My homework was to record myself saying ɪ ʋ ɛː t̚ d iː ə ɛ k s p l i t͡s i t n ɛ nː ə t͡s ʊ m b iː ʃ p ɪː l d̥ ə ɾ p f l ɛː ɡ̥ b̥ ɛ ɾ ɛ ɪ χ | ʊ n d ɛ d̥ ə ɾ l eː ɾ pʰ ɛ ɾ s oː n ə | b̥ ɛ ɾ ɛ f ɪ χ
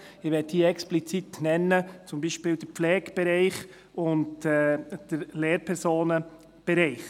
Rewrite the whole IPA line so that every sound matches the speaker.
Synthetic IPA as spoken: ɪ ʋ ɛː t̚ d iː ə ɛ k s p l i t͡s i t n ɛ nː ə t͡s ʊ m b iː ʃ p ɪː l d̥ ə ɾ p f l ɛː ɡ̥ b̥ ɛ ɾ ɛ ɪ χ | ʊ n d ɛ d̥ ə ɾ l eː ɾ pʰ ɛ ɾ s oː n ə | b̥ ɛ ɾ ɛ ɪ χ